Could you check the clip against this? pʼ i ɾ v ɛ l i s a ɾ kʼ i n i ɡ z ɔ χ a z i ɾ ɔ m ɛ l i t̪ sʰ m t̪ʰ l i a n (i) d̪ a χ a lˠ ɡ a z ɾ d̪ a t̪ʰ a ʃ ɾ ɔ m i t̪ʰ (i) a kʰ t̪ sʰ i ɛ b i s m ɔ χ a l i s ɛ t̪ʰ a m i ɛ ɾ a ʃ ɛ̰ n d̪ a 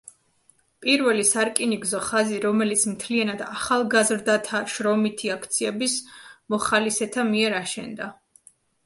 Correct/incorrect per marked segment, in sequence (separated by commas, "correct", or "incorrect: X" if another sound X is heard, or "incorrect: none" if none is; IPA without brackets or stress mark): incorrect: a, correct